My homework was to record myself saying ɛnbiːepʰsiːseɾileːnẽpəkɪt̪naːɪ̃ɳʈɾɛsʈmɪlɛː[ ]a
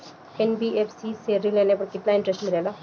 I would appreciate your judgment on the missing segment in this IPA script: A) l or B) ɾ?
A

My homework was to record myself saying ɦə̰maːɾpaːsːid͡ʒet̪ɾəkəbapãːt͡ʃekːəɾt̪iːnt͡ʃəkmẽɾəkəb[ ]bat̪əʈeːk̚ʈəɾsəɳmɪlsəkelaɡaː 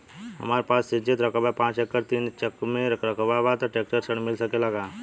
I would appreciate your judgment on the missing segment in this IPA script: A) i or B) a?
B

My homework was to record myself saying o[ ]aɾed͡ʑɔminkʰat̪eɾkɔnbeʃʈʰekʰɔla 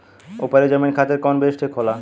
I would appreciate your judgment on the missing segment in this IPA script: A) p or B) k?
A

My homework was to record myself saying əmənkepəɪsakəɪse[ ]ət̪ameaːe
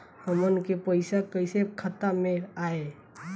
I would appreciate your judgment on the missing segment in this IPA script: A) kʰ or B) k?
A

